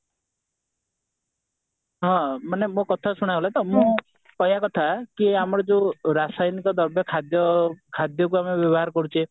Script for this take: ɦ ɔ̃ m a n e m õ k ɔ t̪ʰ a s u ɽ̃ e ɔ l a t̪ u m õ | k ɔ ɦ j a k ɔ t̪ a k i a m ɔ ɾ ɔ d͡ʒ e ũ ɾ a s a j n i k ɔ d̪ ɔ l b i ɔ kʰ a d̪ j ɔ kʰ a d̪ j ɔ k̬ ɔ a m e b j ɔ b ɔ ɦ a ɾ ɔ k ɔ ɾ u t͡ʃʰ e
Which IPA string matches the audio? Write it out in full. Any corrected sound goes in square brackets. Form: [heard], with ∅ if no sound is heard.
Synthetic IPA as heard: ɦ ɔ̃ m a n e m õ k ɔ t̪ʰ a s u ɽ̃ [a] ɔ l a t̪ [ɔ] m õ | k ɔ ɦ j a k ɔ [t̪ʰ] a k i a m ɔ ɾ ɔ d͡ʒ e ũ ɾ a s a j n i k ɔ d̪ ɔ [ɾ] b [j] ɔ kʰ a d̪ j ɔ kʰ a d̪ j ɔ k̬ [u] a m e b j ɔ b ɔ ɦ a ɾ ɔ k ɔ ɾ u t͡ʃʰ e